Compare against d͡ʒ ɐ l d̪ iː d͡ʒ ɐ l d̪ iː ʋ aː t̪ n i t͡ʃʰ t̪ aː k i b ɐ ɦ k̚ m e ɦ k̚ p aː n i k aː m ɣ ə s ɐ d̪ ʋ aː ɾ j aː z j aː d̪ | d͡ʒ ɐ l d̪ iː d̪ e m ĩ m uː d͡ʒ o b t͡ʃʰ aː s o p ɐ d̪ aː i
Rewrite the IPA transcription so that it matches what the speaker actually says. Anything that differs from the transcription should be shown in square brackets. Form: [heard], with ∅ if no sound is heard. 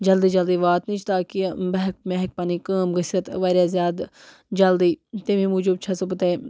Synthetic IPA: d͡ʒ ɐ l d̪ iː d͡ʒ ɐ l d̪ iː ʋ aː t̪ n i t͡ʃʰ t̪ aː k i b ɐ ɦ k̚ m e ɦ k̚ p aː n i k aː m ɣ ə s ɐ [t̪] ʋ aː ɾ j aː z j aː d̪ | d͡ʒ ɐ l d̪ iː [t̪] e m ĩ m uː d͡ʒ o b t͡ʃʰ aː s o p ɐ [t̪] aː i